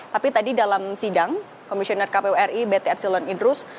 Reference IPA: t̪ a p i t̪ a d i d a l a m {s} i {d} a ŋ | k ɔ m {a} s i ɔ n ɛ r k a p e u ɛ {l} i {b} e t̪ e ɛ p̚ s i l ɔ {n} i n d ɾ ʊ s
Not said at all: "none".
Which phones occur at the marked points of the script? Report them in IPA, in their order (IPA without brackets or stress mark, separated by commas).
s, d, i, r, b, n